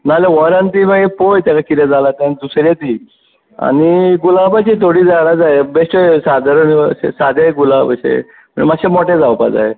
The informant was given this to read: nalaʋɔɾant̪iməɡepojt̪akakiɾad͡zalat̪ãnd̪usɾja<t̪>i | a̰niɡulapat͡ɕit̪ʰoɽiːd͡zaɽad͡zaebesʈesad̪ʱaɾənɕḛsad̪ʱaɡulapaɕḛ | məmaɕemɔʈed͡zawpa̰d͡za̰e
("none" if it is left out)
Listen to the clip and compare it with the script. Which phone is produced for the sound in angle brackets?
t̪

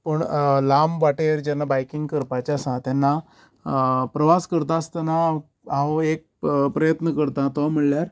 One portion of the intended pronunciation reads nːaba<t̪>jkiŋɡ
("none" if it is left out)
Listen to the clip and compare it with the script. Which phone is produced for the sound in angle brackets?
none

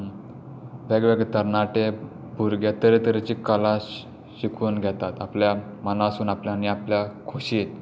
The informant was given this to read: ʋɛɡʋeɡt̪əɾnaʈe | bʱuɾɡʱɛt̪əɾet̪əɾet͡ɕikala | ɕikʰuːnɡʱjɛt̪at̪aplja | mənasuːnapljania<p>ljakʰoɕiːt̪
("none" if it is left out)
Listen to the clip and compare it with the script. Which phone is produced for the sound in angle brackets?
p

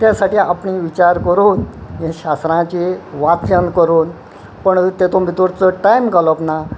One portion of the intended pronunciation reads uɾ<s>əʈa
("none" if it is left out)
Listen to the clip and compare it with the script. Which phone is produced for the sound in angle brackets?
t͡s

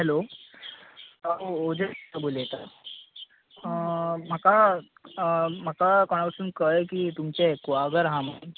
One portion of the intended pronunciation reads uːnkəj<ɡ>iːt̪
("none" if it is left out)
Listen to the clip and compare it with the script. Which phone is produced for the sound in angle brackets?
k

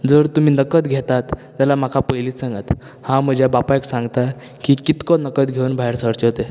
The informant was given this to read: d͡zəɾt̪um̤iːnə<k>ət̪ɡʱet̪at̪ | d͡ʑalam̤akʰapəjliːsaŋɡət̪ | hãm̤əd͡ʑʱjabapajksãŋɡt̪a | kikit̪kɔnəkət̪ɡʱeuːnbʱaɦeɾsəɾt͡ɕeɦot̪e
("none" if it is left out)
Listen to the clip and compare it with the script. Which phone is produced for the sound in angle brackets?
k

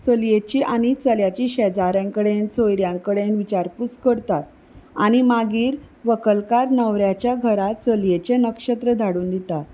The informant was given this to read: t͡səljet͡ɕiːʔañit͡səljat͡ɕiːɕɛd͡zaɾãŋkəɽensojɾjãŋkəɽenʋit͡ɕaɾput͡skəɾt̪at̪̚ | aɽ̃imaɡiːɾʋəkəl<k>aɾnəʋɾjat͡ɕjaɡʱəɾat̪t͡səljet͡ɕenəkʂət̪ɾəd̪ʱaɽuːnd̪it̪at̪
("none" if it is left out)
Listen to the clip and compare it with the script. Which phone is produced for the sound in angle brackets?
k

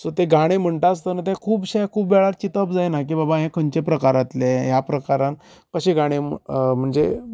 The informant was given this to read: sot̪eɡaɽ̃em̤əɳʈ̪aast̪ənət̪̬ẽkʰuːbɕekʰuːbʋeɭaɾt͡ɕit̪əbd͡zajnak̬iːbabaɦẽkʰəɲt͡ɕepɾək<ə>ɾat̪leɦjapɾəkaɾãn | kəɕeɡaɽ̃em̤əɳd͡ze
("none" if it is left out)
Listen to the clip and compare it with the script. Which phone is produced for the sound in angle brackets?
a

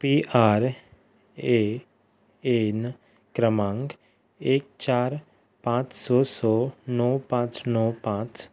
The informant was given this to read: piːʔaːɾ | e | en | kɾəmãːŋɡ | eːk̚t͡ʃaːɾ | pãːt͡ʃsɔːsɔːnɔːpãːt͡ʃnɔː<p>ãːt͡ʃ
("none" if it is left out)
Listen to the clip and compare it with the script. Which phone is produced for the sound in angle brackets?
p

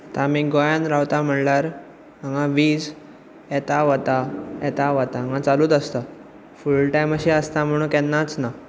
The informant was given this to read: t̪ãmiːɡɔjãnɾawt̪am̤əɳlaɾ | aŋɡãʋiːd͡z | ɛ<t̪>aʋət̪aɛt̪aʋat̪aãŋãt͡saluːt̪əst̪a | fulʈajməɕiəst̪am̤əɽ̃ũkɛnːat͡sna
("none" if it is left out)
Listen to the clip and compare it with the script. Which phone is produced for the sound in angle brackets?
t̪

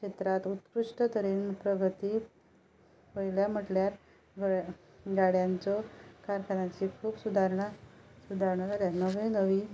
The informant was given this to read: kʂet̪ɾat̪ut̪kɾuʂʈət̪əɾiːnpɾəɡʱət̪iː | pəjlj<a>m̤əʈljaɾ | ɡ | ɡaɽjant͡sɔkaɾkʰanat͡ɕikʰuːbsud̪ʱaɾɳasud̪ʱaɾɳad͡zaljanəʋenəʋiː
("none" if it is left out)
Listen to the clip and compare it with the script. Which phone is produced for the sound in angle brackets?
a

